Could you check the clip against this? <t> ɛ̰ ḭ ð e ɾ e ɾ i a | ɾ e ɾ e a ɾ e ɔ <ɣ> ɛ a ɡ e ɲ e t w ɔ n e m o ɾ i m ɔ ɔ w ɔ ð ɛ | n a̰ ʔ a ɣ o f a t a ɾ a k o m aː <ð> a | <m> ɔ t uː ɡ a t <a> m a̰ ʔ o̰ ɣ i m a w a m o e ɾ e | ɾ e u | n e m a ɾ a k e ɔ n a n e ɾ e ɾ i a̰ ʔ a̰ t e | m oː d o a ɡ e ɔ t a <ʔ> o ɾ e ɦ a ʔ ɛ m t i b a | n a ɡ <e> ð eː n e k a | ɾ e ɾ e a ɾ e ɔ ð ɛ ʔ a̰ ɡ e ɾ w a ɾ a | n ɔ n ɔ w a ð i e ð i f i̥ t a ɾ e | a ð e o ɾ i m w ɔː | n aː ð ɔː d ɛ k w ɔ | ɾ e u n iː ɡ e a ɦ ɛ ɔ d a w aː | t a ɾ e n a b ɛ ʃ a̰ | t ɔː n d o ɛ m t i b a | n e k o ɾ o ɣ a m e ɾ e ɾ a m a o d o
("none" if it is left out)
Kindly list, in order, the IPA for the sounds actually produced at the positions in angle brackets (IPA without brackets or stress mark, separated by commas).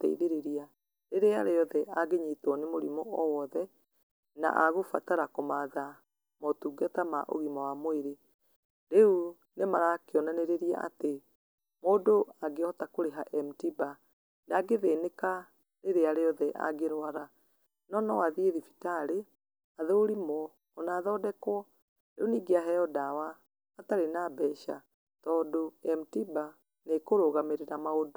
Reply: t, ð, ð, m, a, k, e